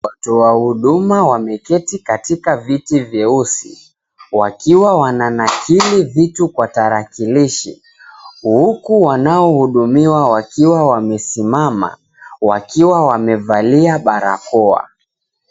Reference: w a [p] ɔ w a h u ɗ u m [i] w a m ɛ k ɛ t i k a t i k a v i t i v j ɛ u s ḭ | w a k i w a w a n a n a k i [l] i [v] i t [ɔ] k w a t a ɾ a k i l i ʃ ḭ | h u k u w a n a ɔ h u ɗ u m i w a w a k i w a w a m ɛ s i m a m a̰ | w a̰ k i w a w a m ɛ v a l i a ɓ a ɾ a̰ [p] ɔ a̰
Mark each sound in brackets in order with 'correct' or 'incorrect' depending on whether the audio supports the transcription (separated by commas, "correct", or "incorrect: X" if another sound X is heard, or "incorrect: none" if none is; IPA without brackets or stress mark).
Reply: incorrect: t, incorrect: a, correct, correct, incorrect: u, incorrect: k